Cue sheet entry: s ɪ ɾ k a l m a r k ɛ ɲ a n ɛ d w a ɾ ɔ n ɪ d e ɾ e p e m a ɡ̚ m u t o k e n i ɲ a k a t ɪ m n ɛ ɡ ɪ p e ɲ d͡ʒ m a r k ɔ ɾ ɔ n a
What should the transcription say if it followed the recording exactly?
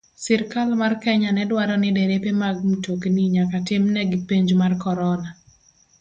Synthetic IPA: s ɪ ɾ k a l m a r k ɛ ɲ a n ɛ d w a ɾ ɔ n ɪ d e ɾ e p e m a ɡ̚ m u t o k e n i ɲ a k a t ɪ m n ɛ ɡ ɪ p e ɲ d͡ʒ m a r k ɔ ɾ ɔ n a